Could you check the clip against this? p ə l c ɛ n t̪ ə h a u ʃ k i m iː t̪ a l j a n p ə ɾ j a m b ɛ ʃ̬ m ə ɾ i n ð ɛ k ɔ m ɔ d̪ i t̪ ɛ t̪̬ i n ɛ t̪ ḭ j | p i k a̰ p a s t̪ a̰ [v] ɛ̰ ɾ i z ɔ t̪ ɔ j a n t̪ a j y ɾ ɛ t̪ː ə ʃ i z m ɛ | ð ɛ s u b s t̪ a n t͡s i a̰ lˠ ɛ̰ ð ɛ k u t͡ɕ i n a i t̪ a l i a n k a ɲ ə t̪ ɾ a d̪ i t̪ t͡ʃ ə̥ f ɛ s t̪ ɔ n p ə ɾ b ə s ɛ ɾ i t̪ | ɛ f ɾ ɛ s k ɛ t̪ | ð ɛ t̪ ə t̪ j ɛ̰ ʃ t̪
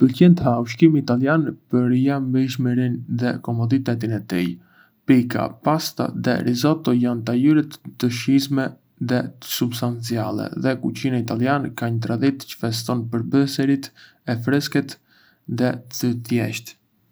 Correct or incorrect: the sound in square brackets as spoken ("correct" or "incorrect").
incorrect